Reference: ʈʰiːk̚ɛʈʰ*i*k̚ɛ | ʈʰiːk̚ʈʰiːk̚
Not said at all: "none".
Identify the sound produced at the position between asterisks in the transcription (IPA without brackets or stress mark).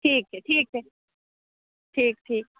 iː